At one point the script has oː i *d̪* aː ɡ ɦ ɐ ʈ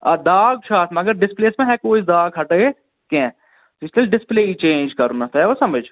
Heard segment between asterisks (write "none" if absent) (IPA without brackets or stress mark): d̪